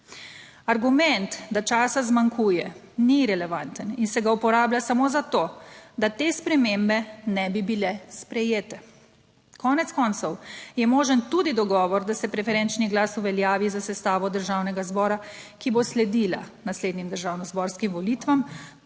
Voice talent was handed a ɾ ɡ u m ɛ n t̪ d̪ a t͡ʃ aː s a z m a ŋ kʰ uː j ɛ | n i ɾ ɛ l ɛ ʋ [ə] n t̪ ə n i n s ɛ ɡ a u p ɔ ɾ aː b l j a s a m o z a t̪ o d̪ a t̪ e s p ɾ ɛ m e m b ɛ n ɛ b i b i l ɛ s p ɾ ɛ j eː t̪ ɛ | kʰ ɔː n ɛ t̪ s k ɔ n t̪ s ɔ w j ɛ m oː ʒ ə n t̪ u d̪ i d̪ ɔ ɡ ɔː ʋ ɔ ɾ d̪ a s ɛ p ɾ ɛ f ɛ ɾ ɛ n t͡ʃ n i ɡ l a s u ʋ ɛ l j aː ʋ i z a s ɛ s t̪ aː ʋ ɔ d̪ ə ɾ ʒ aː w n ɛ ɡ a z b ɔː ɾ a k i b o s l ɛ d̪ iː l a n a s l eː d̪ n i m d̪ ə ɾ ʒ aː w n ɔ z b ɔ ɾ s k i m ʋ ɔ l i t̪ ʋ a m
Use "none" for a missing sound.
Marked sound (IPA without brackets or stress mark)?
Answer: a